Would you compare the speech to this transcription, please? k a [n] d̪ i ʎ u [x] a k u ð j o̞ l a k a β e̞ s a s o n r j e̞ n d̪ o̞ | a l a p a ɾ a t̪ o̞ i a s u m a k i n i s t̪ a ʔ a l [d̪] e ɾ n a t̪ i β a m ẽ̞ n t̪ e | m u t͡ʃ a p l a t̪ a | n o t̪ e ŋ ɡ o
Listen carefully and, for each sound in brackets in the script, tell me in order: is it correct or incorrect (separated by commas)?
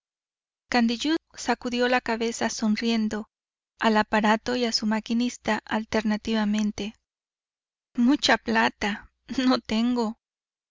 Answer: correct, incorrect, incorrect